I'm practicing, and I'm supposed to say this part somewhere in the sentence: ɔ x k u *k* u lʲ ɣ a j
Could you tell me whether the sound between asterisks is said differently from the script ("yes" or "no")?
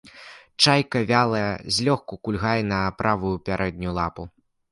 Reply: no